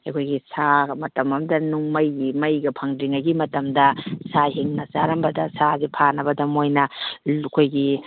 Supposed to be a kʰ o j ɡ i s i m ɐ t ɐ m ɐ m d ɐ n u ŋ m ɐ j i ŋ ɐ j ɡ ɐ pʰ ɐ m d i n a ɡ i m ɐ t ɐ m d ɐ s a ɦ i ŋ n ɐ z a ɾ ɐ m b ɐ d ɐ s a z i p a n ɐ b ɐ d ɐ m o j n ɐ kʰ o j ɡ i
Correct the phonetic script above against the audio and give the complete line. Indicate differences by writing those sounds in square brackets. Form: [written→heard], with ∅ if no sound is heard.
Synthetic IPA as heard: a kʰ o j ɡ i s [i→a] m ɐ t ɐ m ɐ m d ɐ n u ŋ m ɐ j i [ŋ→m] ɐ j ɡ ɐ pʰ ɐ [m→ŋ] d i [n→ŋ] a ɡ i m ɐ t ɐ m d ɐ s a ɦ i ŋ n ɐ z a ɾ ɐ m b ɐ d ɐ s a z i [p→pʰ] a n ɐ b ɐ d ɐ m o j n ɐ kʰ o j ɡ i